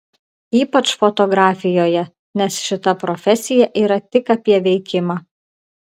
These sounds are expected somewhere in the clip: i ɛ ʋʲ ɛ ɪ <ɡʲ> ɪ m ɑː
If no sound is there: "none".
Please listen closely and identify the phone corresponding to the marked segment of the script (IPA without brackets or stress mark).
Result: kʲ